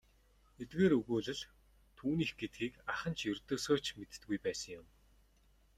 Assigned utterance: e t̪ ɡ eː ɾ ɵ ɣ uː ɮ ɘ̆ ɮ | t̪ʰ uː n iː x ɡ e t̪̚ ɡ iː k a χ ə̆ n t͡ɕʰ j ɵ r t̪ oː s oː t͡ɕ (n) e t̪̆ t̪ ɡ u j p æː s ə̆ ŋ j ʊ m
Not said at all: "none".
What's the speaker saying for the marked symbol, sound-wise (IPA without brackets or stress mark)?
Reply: m